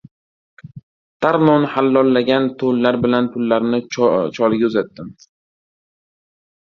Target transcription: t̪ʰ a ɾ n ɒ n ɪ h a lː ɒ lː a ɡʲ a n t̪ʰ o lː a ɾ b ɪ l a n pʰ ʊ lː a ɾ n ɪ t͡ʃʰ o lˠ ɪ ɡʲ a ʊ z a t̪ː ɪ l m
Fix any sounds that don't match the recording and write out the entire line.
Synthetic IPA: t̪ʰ a ɾ n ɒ n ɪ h a lː ɒ lː a ɡʲ a n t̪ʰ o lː a ɾ b ɪ l a n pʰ ʊ lː a ɾ n ɪ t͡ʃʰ ɒ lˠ ɪ ɡʲ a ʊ z a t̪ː ɪ m